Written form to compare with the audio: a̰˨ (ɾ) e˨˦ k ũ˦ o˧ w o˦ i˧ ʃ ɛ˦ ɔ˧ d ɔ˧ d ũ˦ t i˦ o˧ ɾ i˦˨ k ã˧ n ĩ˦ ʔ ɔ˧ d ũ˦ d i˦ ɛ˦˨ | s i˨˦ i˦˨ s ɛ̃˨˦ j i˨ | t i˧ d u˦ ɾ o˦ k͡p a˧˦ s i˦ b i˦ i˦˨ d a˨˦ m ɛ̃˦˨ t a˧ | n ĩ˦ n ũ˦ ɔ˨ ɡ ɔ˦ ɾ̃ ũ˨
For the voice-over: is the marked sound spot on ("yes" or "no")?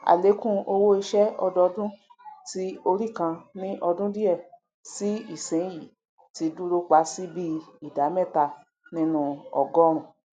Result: no